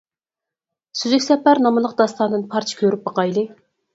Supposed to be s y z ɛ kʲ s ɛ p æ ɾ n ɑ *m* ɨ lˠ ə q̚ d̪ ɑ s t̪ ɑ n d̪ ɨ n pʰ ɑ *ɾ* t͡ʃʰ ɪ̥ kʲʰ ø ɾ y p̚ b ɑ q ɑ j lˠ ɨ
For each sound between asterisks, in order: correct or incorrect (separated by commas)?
correct, correct